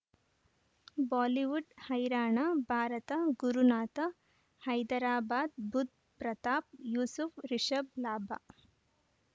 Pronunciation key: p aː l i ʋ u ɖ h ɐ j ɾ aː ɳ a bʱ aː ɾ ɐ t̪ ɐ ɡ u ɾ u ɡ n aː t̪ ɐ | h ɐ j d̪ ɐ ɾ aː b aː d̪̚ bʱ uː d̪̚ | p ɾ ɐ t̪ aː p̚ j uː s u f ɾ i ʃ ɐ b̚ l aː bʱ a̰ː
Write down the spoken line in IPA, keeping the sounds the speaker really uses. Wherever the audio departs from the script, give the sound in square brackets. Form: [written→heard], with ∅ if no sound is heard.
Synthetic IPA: [p→b] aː l i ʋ u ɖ h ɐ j ɾ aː ɳ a bʱ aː ɾ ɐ t̪ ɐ ɡ u ɾ u [ɡ→∅] n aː t̪ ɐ | h ɐ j d̪ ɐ ɾ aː b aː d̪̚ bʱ [uː→u] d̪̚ | p ɾ ɐ t̪ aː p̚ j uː s u f ɾ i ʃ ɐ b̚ l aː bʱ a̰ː